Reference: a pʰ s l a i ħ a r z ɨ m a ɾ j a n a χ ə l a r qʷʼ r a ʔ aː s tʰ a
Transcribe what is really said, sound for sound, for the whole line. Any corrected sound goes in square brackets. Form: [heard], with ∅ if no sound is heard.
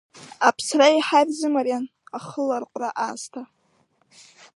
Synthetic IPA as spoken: a pʰ s [r] a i ħ a r z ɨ m a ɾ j a n a χ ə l a r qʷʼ r a ʔ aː s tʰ a